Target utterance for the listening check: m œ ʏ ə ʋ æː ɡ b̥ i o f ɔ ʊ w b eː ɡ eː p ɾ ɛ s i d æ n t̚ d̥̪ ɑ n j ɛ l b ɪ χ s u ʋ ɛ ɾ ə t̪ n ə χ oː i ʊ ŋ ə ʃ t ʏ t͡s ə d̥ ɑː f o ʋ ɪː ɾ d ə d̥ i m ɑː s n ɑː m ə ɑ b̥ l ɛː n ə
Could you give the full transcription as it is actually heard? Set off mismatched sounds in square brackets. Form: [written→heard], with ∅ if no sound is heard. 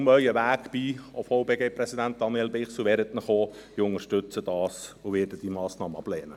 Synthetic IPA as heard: m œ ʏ ə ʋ æː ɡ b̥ i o f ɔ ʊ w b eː ɡ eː p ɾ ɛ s i d æ n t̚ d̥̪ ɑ n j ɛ l b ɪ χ s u ʋ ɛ ɾ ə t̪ n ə χ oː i ʊ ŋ ə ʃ t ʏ t͡s ə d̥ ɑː [f→s] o ʋ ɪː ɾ d ə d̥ i m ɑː s n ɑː m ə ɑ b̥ l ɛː n ə